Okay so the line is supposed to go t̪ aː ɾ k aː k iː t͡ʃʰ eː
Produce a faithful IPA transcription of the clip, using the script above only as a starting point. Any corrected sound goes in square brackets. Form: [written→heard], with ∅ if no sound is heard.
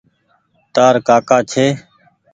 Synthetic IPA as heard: t̪ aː ɾ k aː k [iː→aː] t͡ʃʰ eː